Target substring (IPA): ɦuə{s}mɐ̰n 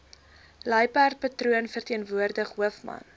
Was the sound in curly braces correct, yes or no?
no